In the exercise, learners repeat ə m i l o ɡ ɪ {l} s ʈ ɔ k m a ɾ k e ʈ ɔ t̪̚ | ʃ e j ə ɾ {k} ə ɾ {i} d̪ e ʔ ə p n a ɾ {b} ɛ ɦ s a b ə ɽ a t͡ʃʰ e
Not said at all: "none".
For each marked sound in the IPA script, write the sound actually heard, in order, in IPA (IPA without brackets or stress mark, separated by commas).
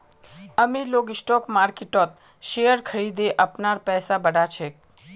none, kʰ, i, p